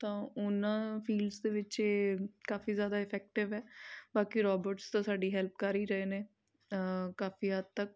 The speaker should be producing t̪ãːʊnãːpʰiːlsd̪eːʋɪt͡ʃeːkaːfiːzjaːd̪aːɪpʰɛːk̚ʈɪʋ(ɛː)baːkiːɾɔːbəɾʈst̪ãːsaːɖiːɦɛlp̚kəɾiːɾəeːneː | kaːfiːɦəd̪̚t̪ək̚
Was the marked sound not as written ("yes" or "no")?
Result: no